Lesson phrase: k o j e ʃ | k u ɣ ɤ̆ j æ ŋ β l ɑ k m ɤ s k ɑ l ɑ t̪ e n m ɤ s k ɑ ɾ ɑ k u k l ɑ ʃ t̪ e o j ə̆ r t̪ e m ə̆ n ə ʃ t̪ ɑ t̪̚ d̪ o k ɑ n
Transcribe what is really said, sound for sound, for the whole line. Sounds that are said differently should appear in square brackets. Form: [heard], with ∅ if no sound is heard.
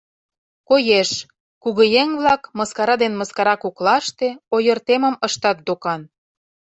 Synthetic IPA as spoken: k o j e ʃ | k u ɣ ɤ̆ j [e] ŋ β l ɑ k m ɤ s k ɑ [ɾ] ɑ [d̪] e n m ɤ s k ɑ ɾ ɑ k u k l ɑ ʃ t̪ e o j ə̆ r t̪ e m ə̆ [m] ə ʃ t̪ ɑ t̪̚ d̪ o k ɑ n